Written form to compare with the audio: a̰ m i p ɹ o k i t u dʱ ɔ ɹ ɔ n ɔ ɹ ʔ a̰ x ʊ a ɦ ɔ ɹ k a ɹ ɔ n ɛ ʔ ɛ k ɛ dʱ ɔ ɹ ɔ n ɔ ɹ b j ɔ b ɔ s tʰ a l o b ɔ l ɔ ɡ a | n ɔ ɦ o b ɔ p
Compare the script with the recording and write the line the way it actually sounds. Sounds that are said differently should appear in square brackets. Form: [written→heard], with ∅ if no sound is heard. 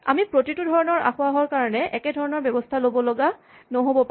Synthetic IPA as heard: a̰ m i p ɹ o [k→t] i t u dʱ ɔ ɹ ɔ n ɔ ɹ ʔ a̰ x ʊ a ɦ ɔ ɹ k a ɹ ɔ n ɛ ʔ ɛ k ɛ dʱ ɔ ɹ ɔ n ɔ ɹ b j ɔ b ɔ s tʰ a l o b ɔ l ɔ ɡ a | n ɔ ɦ o b ɔ p